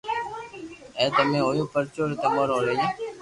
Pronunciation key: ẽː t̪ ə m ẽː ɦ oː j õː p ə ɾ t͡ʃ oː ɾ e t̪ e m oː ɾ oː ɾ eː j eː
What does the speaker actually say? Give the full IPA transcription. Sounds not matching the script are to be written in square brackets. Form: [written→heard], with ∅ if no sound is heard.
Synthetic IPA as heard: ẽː t̪ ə m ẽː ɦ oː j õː p ə ɾ t͡ʃ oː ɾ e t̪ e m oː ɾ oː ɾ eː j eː